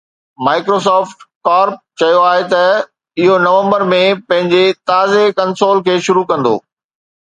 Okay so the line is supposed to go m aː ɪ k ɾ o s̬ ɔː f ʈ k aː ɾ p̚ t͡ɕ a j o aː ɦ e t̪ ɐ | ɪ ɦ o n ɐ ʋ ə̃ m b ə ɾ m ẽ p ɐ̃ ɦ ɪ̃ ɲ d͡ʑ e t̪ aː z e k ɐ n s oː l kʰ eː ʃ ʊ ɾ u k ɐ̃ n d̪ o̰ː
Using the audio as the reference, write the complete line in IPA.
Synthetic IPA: m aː ɪ k ɾ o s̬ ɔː f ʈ k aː ɾ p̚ t͡ɕ ɐ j o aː ɦ e t̪ ɐ | ɪ ɦ o n ɐ ʋ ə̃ m b ə ɾ m ẽ p ɐ̃ ɦ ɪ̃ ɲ d͡ʑ e t̪ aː z e k ɐ n s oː l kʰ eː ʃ ʊ ɾ u k ɐ̃ n d̪ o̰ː

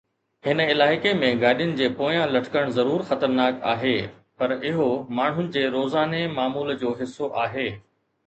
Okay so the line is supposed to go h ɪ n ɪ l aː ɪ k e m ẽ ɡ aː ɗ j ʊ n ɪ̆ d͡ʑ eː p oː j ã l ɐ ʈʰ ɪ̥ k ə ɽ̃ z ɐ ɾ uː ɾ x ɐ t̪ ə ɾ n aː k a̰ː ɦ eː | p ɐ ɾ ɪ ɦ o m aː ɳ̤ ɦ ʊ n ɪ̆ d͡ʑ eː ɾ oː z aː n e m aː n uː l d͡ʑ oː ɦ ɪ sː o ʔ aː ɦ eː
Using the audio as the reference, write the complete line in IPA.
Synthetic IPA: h ɪ n ɪ l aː ɪ k e m ẽ ɡ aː ɗ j ʊ n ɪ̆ d͡ʑ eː p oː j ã l ɐ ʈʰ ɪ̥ k ə ɽ̃ z ɐ ɾ uː ɾ x ɐ t̪ ə ɾ n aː k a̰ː ɦ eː | p ɐ ɾ ɪ ɦ o m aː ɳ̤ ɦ ʊ n ɪ̆ d͡ʑ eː ɾ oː z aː n e m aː m uː l d͡ʑ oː ɦ ɪ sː o ʔ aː ɦ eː

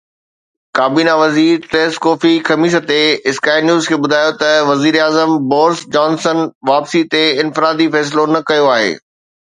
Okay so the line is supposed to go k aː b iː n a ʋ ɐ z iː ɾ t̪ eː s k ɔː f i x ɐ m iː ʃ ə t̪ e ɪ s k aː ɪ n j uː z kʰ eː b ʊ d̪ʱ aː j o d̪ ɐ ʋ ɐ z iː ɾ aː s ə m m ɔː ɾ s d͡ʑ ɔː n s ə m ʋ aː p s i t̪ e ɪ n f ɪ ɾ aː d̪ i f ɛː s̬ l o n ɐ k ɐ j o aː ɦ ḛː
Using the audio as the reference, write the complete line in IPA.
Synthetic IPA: k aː b iː n a ʋ ɐ z iː ɾ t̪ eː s k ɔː f i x ɐ m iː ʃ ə t̪ e ɪ s k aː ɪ n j uː z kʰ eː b ʊ d̪ʱ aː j o t̪ ɐ ʋ ɐ z iː ɾ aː z ə m b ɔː ɾ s d͡ʑ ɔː n s ə n ʋ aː p s i t̪ e ɪ n f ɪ ɾ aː d̪ i f ɛː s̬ l o n ɐ k ɐ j o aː ɦ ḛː

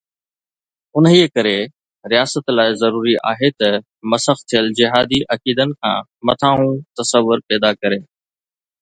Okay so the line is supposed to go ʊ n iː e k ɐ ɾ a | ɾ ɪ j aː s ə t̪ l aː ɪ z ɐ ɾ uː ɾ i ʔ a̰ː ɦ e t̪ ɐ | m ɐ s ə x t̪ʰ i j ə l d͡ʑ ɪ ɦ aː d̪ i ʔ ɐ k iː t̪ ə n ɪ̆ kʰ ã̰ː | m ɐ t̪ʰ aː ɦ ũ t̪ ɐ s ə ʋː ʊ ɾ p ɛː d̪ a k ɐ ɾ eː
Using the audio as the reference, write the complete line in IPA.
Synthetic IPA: ʊ n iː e k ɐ ɾ e | ɾ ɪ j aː s ə t̪ l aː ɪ z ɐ ɾ uː ɾ i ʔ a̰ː ɦ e t̪ ɐ | m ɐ s ə x t̪ʰ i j ə l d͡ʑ ɪ ɦ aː d̪ i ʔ ɐ k iː d̪ ə n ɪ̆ kʰ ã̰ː | m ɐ t̪ʰ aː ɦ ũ t̪ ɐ s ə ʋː ʊ ɾ p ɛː d̪ a k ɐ ɾ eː

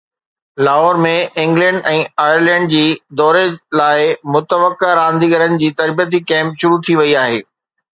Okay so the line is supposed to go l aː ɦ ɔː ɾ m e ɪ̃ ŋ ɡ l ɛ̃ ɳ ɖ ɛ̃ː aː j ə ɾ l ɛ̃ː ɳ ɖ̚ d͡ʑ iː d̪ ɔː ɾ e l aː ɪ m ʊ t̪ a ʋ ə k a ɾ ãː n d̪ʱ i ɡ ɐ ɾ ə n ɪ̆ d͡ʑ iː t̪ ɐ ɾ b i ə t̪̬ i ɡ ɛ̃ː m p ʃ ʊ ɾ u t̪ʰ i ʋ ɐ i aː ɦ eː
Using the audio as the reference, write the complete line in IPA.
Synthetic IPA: l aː ɦ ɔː ɾ m ẽ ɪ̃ ŋ ɡ l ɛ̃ ɳ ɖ ɛ̃ː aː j ə ɾ l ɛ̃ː ɳ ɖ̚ d͡ʑ iː d̪ ɔː ɾ e l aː ɪ m ʊ t̪ ə ʋ ə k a ɾ ãː n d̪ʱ i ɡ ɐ ɾ ə n ɪ̆ d͡ʑ iː t̪ ɐ ɾ b i ə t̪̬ i k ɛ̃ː m p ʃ ʊ ɾ u t̪ʰ i ʋ ɐ i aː ɦ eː

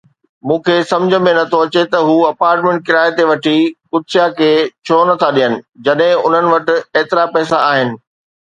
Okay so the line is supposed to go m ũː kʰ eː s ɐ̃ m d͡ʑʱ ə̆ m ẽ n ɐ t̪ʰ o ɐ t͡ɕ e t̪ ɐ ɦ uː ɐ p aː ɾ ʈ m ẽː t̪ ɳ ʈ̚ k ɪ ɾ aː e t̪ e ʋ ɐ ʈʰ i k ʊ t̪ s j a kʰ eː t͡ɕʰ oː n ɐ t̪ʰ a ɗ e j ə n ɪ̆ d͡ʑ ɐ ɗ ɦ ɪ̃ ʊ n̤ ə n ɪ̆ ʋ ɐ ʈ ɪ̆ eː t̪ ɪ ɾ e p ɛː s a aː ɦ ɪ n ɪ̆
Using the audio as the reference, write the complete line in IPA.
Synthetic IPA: m ũː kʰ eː s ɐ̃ m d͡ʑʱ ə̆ m ẽ n ɐ t̪ʰ o ɐ t͡ɕ e t̪ ɐ ɦ uː ɐ p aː ɾ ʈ m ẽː ɳ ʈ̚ k ɪ ɾ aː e t̪ e ʋ ɐ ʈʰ i k ʊ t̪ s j a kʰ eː t͡ɕʰ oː n ɐ t̪ʰ a ɗ i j ə n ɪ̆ d͡ʑ ɐ ɗ ɦ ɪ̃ ʊ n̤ ə n ɪ̆ ʋ ɐ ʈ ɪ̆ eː t̪ ɪ ɾ a p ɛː s a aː ɦ ɪ n ɪ̆

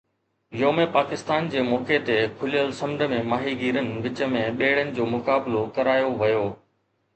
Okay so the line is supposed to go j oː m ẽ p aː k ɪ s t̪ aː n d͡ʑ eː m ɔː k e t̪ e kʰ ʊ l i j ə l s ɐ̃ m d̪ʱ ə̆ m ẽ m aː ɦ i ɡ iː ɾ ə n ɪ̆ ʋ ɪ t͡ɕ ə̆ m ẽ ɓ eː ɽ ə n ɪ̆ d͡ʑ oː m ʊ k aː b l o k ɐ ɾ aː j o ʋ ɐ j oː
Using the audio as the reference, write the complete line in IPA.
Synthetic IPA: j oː m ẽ p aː k ɪ s t̪ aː n d͡ʑ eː m ɔː k e t̪ e kʰ ʊ l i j ə l s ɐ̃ m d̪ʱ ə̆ m ẽ m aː ɦ i ɡ iː ɾ ə n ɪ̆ ʋ ɪ t͡ɕ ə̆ m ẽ ɓ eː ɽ ə n ɪ̆ d͡ʑ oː m ʊ k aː b l o k ɐ ɾ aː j o ʋ ɐ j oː

